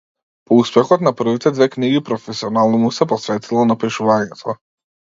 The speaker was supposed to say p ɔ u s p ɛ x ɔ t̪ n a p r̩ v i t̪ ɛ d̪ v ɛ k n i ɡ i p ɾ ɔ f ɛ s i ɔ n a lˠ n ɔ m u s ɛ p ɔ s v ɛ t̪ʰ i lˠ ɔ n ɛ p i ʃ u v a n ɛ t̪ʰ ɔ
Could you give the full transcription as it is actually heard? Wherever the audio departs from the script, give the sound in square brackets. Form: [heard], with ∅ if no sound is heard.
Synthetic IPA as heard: p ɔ u s p ɛ x ɔ t̪ n a p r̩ v i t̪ ɛ d̪ v ɛ k n i ɡ i p ɾ ɔ f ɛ s i ɔ n a lˠ n ɔ m u s ɛ p ɔ s v ɛ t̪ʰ i lˠ ɔ n [a] p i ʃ u v a [ɲ] ɛ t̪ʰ ɔ